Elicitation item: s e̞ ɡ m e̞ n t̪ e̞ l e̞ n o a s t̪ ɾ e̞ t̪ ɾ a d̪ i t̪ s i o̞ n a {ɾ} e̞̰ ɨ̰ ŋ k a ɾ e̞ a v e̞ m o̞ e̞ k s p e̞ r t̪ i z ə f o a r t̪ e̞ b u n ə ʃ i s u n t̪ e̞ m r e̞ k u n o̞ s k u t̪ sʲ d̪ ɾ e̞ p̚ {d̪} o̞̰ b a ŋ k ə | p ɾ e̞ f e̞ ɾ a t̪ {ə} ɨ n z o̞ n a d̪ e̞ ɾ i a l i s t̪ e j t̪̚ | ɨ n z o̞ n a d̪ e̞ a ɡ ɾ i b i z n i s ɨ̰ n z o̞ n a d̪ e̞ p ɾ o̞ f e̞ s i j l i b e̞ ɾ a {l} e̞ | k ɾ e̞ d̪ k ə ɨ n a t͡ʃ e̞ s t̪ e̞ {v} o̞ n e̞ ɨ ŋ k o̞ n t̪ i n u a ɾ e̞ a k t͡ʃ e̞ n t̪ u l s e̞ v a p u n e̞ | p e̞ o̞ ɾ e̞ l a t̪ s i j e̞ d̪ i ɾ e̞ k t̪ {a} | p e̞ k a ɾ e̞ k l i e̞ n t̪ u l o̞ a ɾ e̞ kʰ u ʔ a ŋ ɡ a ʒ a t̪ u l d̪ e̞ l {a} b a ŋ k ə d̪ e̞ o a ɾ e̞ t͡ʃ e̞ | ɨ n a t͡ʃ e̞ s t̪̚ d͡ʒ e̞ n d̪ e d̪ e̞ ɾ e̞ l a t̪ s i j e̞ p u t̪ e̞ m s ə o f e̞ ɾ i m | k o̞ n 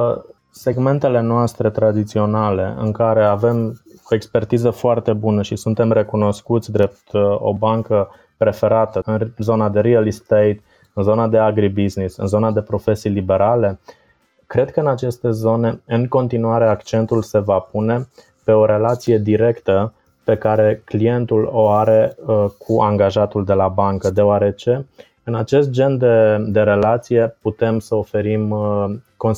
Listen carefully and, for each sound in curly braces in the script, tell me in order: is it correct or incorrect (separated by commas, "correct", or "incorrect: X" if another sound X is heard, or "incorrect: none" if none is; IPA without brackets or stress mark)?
incorrect: l, incorrect: t̪, correct, correct, incorrect: z, incorrect: ə, correct